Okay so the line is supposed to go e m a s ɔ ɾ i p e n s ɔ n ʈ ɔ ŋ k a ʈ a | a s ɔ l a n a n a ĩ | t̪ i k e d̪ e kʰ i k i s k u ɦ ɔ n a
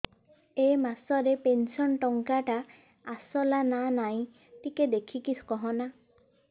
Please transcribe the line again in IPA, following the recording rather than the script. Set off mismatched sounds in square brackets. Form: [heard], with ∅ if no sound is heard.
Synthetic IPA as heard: e m a s ɔ ɾ [e] p e n s ɔ n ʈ ɔ ŋ k a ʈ a | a s ɔ l a n a n a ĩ | t̪ i k e d̪ e kʰ i k i s k [ɔ] ɦ ɔ n a